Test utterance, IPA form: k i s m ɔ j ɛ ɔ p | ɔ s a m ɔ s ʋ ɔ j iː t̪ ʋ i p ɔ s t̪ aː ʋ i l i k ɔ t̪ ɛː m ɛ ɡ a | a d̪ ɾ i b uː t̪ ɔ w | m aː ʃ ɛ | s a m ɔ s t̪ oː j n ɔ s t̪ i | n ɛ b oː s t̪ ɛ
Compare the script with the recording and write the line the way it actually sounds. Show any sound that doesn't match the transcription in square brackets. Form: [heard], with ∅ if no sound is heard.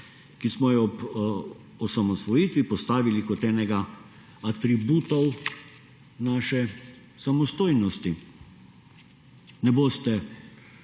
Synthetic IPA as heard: k i s m ɔ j ɛ ɔ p | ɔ s a m ɔ s ʋ ɔ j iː t̪ ʋ i p ɔ s t̪ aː ʋ i l i k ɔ t̪ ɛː [n] ɛ ɡ a | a [t̪] ɾ i b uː t̪ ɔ w | [n] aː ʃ ɛ | s a m ɔ s t̪ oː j n ɔ s t̪ i | n ɛ b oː s t̪ ɛ